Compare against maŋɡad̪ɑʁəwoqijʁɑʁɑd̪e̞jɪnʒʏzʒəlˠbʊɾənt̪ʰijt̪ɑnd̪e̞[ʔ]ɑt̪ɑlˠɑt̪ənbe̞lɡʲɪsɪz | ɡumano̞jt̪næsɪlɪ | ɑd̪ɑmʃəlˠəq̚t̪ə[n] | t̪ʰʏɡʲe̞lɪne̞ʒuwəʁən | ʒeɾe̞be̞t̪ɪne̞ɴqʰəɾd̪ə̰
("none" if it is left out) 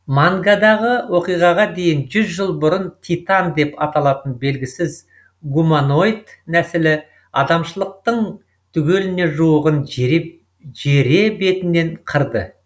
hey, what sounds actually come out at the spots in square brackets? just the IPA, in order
p, ɴ

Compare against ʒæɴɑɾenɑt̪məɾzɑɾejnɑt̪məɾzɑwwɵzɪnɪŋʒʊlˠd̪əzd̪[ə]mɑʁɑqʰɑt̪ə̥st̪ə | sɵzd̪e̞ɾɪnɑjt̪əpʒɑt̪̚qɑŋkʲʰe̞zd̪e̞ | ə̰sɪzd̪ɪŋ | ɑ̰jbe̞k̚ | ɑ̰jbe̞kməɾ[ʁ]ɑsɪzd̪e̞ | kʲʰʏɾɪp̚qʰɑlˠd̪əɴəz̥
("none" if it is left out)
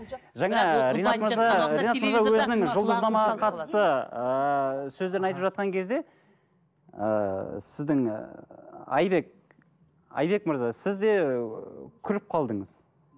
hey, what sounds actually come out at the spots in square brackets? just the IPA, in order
ɑ, z

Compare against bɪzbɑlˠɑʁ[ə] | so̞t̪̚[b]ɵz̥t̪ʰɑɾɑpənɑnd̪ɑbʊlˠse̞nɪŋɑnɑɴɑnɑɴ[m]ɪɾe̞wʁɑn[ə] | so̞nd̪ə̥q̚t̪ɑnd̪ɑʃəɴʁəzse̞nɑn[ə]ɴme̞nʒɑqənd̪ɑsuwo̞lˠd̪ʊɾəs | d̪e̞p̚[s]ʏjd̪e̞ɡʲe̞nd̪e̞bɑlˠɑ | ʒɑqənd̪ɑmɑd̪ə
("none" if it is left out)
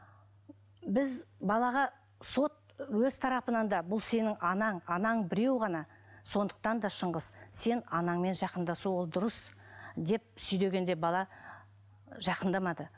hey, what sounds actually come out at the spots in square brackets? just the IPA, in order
ɑ, w, b, ɑ, ɑ, s

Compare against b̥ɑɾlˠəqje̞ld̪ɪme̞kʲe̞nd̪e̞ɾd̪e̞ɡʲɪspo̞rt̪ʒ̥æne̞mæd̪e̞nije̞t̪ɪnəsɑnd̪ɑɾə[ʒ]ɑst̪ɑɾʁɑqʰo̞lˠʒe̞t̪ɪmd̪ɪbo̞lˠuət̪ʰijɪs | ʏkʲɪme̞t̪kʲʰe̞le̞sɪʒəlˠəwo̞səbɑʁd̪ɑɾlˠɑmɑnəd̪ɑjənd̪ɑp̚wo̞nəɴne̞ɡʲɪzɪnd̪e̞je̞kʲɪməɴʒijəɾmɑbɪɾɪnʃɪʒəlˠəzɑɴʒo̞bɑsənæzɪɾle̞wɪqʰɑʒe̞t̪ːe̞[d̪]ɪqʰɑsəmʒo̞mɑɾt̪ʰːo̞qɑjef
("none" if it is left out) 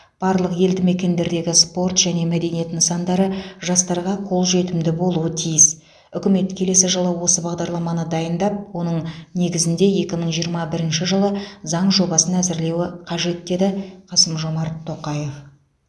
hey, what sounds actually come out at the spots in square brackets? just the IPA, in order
ʒ, d̪

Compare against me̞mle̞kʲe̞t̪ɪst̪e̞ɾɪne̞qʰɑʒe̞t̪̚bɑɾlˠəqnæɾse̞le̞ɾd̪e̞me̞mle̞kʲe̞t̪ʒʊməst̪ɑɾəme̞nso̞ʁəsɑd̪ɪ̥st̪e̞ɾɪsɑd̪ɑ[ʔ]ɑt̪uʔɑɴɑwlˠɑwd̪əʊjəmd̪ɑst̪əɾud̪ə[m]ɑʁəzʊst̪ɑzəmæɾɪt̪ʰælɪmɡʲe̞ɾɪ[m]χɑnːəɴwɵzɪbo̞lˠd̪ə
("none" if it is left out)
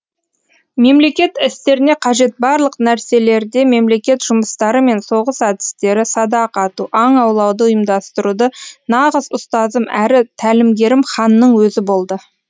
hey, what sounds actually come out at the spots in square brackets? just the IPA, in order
q, n, m

